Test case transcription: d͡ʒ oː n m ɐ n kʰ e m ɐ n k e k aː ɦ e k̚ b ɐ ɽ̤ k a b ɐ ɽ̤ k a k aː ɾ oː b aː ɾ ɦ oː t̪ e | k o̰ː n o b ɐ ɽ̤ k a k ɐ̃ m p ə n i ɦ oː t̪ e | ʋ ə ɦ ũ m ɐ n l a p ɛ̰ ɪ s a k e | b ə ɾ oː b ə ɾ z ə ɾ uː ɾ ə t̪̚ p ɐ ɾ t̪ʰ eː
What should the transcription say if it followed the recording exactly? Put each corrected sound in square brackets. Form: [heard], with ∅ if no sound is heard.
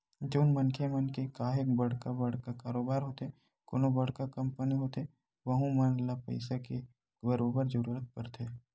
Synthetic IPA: d͡ʒ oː n m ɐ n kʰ e m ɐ n k e k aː ɦ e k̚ b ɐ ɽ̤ k a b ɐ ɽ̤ k a k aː ɾ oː b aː ɾ ɦ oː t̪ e | k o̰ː n o b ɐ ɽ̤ k a k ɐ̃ m p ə n i ɦ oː t̪ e | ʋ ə ɦ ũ m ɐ n l a p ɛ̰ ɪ s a k e | b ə ɾ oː b ə ɾ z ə ɾ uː ɾ ə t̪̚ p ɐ ɾ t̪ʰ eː